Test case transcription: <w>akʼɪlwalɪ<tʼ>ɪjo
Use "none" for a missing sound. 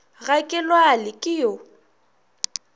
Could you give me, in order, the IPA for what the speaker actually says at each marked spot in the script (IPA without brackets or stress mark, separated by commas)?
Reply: ɣ, kʼ